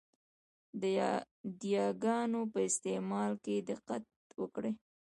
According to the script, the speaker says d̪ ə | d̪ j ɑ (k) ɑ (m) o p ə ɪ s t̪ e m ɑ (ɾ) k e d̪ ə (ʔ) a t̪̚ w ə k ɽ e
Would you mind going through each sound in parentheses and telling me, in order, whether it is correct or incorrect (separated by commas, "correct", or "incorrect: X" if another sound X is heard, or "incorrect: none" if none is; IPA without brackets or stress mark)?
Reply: incorrect: ɡ, incorrect: n, incorrect: l, incorrect: q